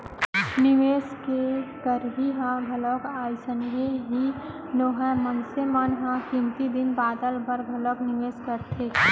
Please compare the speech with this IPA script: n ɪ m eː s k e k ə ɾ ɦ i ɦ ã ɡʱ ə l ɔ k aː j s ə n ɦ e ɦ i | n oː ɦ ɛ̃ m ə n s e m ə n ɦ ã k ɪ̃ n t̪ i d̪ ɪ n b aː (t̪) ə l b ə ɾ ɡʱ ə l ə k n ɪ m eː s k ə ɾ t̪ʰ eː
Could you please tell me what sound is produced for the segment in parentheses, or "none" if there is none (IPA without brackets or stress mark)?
d̪